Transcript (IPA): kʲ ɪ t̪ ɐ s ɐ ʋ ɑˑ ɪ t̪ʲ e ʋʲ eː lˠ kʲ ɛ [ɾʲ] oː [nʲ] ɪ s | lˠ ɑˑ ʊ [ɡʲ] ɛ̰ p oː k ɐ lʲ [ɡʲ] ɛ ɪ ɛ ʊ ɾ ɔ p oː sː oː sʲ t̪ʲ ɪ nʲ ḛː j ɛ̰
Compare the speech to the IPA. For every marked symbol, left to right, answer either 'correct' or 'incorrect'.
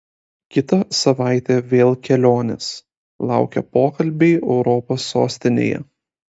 incorrect: lʲ, correct, incorrect: kʲ, incorrect: bʲ

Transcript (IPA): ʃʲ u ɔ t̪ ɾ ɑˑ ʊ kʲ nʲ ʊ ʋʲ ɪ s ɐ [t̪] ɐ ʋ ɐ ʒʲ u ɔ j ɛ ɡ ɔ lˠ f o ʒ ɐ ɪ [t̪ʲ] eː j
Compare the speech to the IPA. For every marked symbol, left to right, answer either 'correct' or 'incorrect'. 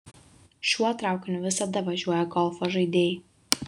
incorrect: d̪, incorrect: d̪ʲ

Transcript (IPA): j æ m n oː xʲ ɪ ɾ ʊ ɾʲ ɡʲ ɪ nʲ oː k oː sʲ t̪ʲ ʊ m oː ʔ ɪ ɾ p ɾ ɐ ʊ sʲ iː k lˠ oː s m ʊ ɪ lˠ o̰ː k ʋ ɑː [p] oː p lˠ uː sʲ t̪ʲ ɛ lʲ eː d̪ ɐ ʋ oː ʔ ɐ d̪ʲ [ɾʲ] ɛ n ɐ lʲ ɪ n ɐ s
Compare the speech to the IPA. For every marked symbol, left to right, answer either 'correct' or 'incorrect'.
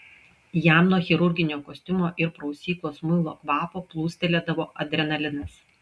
correct, correct

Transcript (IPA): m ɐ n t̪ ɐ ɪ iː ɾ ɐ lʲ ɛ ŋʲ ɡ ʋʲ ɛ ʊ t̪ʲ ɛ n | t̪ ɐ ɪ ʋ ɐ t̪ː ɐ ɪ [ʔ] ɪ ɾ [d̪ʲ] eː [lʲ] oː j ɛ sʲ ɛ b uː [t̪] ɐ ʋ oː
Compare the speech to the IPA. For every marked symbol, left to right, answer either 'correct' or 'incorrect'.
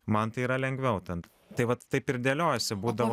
incorrect: p, correct, correct, incorrect: d̪

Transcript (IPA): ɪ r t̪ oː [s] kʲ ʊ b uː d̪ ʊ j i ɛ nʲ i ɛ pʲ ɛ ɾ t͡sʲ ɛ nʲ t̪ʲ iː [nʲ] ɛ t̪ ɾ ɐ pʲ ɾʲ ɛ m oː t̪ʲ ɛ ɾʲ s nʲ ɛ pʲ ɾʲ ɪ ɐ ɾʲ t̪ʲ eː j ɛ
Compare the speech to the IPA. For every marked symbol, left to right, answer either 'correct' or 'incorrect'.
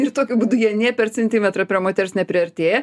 incorrect: none, incorrect: mʲ

